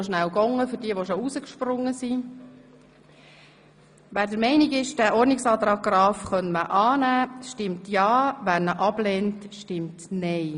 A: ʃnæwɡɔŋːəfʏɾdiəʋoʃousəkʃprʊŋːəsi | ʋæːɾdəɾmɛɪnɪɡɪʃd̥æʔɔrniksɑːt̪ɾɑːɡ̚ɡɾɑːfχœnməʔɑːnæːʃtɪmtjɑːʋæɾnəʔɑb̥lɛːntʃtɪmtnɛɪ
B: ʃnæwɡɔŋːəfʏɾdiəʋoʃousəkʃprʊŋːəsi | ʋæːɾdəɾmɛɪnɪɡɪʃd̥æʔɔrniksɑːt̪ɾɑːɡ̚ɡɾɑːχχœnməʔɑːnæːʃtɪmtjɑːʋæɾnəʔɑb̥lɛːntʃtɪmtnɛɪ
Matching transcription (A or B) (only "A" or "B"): A